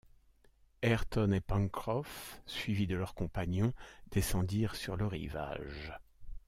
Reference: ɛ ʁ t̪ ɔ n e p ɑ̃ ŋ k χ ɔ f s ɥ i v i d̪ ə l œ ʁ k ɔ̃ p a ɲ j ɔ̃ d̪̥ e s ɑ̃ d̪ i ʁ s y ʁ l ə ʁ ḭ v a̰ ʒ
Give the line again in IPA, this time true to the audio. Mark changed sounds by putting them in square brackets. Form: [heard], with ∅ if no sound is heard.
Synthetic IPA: ɛ ʁ t̪ ɔ n e p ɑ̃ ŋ k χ ɔ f s ɥ i v i d̪ ə l œ ʁ k ɔ̃ p a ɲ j ɔ̃ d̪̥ e s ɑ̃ d̪ i ʁ s y ʁ l ə ʁ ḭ v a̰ ʒ